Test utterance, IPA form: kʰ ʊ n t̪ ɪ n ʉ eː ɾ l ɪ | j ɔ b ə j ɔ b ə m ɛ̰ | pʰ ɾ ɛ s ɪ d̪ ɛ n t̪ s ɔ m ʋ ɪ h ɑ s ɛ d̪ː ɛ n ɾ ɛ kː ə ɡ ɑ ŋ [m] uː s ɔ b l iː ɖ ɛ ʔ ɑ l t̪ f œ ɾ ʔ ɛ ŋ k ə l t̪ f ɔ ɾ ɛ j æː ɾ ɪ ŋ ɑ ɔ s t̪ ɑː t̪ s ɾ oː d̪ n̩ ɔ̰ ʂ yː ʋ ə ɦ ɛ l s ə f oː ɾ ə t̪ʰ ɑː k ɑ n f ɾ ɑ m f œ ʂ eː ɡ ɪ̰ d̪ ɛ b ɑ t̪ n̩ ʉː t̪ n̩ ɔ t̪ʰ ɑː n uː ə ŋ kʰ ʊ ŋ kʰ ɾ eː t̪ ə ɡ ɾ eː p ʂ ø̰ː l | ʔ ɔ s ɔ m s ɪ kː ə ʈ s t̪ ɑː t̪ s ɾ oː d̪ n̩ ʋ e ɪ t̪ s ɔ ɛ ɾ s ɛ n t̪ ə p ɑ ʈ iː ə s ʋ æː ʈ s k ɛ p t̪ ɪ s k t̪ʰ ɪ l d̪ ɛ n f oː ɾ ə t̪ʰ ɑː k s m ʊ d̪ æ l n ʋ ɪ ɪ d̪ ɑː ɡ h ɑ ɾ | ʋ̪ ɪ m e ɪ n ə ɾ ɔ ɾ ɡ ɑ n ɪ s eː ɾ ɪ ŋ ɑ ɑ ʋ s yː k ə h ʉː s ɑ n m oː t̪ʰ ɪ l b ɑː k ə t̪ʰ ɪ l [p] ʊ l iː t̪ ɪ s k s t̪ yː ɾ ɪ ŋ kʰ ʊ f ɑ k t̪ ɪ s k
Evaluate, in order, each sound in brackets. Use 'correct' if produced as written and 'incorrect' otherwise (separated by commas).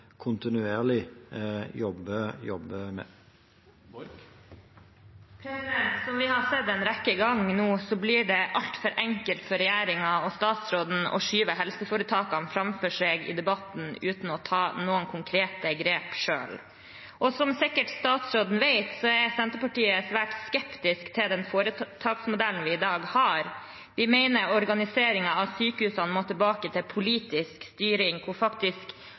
incorrect, incorrect